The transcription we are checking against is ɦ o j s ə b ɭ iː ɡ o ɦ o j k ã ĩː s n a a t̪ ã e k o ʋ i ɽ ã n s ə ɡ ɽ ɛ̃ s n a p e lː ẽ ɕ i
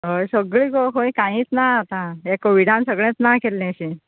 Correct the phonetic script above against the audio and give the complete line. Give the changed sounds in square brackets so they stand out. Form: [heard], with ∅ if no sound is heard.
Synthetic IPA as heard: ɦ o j s ə [ɡ] ɭ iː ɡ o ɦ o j k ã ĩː [t͡s] n a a t̪ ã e k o ʋ i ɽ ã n s ə ɡ [ɭ] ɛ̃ [t͡s] n a [k] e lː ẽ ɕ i